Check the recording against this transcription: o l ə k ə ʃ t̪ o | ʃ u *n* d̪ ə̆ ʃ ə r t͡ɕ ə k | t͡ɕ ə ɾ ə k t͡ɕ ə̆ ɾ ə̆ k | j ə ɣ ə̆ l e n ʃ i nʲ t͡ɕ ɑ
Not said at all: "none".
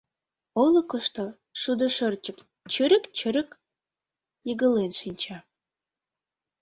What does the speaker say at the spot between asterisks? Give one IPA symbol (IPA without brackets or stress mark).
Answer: none